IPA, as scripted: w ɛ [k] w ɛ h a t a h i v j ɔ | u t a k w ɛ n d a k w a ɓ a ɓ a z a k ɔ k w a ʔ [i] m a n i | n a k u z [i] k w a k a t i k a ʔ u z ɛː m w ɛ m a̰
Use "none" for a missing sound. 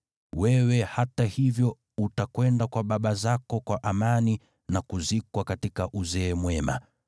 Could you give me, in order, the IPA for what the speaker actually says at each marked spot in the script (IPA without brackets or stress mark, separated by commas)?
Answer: none, a, i